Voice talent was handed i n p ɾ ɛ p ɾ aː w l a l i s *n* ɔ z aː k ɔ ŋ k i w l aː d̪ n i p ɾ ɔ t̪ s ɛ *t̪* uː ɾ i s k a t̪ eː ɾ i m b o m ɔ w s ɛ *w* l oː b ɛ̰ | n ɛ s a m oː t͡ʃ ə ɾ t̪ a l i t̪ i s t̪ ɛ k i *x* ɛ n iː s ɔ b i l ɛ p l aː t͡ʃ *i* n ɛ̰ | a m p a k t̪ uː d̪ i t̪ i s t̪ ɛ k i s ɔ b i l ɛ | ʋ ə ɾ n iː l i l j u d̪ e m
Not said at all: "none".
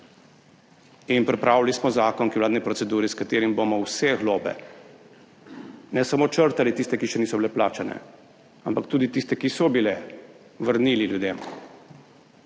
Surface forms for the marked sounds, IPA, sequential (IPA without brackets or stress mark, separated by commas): m, d̪, ɣ, ʃ, a